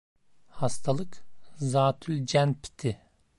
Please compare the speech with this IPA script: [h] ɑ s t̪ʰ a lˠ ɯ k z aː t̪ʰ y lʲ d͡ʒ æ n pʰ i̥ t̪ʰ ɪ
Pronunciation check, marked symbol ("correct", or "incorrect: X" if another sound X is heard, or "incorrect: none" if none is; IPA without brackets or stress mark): correct